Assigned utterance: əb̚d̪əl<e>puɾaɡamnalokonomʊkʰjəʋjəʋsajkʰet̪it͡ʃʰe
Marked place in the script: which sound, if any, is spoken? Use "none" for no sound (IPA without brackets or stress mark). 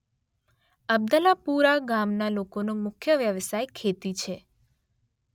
a